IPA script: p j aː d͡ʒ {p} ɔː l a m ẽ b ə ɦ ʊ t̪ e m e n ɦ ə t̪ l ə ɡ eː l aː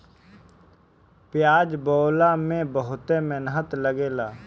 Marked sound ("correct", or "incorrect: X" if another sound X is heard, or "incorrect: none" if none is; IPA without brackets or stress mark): incorrect: b